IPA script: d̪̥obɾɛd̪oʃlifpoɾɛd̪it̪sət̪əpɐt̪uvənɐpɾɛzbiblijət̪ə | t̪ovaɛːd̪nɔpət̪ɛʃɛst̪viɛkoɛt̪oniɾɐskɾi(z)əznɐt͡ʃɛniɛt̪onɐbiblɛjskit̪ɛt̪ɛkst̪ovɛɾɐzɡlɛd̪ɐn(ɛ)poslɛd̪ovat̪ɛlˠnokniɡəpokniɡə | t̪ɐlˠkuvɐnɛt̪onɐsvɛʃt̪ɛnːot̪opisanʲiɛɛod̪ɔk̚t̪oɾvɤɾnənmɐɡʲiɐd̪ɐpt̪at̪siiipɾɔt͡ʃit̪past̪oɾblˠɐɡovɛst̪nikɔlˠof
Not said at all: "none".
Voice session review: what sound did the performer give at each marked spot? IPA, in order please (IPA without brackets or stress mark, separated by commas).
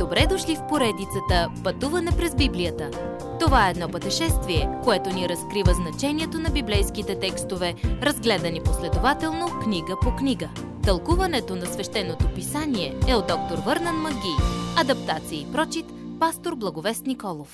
v, i